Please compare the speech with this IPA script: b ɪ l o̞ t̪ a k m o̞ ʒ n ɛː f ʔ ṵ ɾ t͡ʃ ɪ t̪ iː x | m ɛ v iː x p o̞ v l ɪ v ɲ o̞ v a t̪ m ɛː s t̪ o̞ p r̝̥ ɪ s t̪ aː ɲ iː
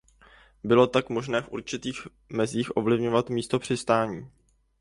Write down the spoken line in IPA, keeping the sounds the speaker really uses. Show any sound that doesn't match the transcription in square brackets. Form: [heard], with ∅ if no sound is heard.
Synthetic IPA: b ɪ l o̞ t̪ a k m o̞ ʒ n ɛː f ʔ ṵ ɾ t͡ʃ ɪ t̪ iː x | m ɛ [z] iː x [ʔ] o̞ v l ɪ v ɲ o̞ v a t̪ m [iː] s t̪ o̞ p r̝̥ ɪ s t̪ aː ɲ iː